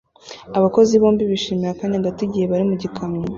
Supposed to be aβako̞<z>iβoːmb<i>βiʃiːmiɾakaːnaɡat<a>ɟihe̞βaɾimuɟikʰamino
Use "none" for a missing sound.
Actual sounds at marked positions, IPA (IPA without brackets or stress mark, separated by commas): z, i, i